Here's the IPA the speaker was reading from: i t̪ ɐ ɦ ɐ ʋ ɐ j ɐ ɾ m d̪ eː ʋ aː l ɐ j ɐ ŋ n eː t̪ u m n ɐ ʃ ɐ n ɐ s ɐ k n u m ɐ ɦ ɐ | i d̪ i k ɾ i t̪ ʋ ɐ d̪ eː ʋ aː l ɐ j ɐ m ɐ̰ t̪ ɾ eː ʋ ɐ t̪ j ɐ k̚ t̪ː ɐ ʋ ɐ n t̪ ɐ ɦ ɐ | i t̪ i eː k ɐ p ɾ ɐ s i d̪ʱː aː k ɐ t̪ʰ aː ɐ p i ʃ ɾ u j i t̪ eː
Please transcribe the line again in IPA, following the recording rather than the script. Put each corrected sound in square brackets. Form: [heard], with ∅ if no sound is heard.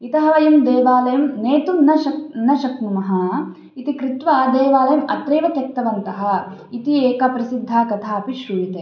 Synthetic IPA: i t̪ ɐ ɦ ɐ ʋ ɐ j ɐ [∅] m d̪ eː ʋ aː l ɐ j ɐ [m] n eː t̪ u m n ɐ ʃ ɐ n ɐ [ʃ] ɐ k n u m ɐ ɦ ɐ | i [t̪] i k ɾ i t̪ ʋ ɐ d̪ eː ʋ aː l ɐ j ɐ m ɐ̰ t̪ ɾ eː ʋ ɐ t̪ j ɐ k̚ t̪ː ɐ ʋ ɐ n t̪ ɐ ɦ ɐ | i t̪ i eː k ɐ p ɾ ɐ s i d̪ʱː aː k ɐ t̪ʰ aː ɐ p i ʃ ɾ u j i t̪ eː